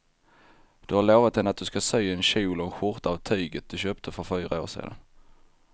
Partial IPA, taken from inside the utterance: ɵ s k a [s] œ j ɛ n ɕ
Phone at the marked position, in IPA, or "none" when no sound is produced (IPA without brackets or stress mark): s